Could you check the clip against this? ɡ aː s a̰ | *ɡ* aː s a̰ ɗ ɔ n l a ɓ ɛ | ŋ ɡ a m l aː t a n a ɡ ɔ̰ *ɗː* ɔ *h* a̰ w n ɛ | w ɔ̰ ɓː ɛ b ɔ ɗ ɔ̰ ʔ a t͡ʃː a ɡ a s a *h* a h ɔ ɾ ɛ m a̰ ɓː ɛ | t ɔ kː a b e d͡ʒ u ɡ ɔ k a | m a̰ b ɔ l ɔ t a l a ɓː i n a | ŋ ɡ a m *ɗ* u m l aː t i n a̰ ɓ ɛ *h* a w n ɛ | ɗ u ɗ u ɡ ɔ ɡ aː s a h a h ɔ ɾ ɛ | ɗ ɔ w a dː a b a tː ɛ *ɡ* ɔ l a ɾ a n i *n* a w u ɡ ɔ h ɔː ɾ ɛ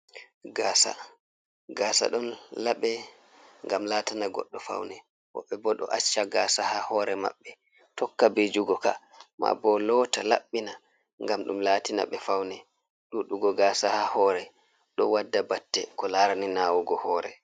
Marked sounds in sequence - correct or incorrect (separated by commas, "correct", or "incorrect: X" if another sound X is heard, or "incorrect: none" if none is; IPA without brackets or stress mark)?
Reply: correct, correct, incorrect: f, correct, correct, incorrect: f, incorrect: k, correct